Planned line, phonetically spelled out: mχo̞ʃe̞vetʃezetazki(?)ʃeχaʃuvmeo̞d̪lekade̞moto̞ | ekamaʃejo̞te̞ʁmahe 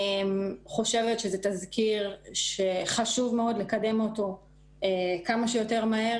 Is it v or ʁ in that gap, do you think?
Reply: ʁ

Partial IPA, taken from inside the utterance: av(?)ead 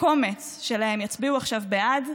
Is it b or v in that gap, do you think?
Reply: b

